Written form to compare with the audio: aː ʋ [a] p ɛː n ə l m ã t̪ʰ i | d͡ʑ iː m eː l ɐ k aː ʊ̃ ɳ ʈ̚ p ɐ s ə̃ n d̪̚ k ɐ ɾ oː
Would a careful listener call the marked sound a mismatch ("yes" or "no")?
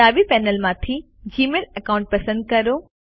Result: yes